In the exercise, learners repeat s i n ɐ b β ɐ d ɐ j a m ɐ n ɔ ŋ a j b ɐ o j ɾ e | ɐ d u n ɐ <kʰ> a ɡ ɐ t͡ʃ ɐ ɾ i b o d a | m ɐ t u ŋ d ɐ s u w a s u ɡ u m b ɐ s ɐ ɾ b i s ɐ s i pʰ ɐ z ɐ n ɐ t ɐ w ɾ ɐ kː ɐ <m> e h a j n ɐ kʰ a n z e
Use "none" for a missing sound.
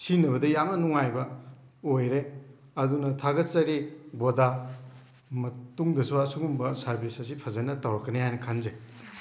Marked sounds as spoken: tʰ, n

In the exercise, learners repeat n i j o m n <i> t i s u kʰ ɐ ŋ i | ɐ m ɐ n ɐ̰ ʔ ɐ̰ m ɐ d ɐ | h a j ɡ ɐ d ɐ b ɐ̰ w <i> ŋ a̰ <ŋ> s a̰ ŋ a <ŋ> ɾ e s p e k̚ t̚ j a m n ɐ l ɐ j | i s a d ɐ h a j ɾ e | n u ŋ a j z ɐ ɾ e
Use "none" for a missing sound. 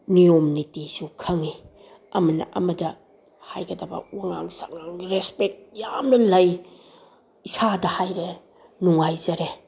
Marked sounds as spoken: i, a, ŋ, ŋ

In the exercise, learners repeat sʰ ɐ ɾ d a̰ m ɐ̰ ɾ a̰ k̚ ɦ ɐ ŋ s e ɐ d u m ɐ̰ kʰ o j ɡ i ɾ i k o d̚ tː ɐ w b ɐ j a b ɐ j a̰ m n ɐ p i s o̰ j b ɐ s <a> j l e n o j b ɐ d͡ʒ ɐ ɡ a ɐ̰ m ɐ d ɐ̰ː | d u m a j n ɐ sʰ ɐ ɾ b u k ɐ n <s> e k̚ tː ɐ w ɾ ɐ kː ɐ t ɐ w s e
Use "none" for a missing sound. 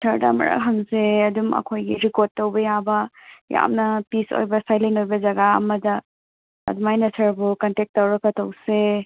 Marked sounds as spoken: a, t

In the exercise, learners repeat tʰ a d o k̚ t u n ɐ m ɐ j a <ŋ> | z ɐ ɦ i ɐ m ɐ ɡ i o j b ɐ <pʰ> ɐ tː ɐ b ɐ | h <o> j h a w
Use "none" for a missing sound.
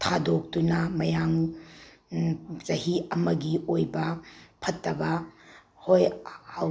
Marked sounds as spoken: ŋ, pʰ, o

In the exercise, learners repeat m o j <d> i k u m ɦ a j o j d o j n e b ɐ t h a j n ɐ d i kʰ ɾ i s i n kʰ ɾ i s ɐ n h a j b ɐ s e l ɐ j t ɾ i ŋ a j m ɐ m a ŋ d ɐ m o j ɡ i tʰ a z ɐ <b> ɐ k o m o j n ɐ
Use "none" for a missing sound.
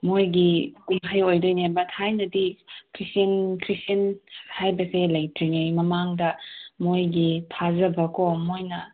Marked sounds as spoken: ɡ, b

